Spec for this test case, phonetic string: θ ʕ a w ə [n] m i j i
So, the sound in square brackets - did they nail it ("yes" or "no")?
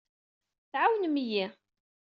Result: yes